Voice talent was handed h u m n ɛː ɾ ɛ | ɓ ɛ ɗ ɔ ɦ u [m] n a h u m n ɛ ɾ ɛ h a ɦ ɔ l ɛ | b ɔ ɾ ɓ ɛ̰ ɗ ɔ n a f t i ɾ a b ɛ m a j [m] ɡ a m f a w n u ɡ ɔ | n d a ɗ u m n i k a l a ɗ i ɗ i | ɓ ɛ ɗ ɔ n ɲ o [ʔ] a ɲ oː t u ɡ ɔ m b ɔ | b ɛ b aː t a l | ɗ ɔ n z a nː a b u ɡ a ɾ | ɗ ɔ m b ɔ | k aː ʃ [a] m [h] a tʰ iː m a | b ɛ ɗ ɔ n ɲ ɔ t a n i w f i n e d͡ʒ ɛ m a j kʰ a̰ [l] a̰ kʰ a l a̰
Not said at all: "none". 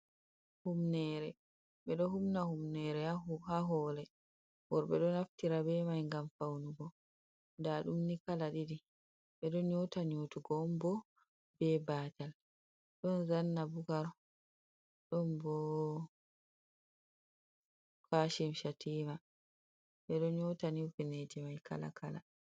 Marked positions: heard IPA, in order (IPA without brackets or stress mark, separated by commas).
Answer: m, ŋ, t, i, ʃ, l